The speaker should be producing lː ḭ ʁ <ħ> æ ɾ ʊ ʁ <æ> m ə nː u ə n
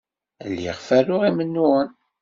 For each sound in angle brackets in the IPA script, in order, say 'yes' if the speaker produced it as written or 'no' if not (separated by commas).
no, no